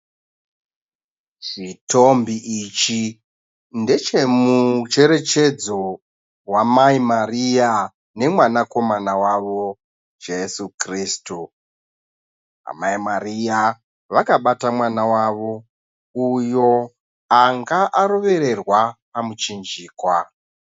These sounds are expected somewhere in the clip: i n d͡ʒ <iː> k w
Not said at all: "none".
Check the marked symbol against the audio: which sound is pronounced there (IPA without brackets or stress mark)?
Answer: iː